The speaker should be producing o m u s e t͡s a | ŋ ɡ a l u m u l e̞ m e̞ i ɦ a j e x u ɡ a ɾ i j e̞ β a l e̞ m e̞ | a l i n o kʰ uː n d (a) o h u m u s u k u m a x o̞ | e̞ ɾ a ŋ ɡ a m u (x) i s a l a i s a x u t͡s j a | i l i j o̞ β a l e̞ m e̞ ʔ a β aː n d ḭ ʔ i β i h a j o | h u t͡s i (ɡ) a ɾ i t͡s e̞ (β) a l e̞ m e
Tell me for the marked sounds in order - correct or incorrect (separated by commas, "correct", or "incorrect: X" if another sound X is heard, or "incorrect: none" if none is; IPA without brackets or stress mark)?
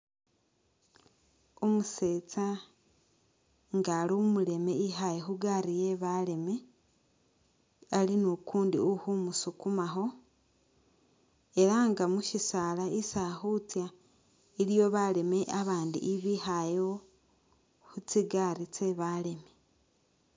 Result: incorrect: i, incorrect: ʃ, correct, correct